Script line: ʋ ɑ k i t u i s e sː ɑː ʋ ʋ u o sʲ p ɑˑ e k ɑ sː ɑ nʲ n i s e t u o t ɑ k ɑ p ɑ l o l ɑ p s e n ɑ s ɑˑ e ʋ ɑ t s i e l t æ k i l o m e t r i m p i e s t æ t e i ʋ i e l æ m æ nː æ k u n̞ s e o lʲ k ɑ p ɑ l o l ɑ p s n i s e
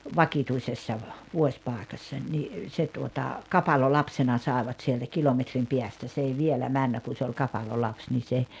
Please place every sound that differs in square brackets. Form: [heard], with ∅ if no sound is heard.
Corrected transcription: ʋ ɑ k i t u i s e sː [ɑ] ʋ ʋ u o sʲ p ɑˑ e k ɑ sː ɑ nʲ n i s e t u o t ɑ k ɑ p ɑ l o l ɑ p s e n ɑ s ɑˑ e ʋ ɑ t s i e l t æ k i l o m e t r i m p i [æ] s t æ [s] e i ʋ i e l æ m æ nː æ k u n̞ s e o lʲ k ɑ p ɑ l o l ɑ p s n i s e